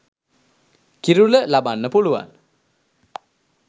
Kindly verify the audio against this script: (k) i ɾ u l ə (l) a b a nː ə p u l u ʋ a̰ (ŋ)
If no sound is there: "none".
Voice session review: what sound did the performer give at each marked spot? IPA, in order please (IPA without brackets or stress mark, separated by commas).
k, l, n